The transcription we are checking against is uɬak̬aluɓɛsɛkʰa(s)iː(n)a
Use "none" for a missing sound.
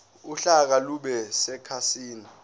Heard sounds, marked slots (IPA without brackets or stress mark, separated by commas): s, n